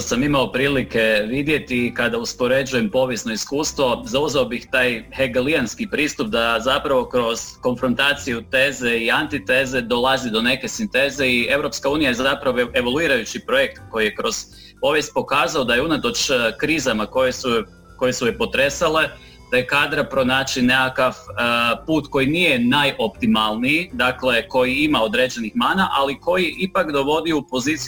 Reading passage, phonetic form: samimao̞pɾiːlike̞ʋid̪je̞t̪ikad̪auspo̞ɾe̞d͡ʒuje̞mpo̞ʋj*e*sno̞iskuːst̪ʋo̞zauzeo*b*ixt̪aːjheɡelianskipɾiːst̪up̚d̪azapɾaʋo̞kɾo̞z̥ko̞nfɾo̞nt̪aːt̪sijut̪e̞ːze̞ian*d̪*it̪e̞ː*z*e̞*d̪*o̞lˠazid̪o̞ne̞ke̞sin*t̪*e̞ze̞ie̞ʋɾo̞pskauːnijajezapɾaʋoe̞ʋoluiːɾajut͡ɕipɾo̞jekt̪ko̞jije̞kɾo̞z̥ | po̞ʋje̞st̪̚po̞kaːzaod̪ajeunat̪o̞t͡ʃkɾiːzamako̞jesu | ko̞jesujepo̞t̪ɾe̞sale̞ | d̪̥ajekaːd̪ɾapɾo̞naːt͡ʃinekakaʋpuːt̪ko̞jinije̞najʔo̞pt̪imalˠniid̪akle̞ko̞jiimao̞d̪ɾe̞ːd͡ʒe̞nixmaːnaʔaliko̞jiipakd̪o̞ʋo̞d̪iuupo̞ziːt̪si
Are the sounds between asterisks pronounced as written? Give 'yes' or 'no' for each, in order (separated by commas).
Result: yes, yes, no, yes, yes, yes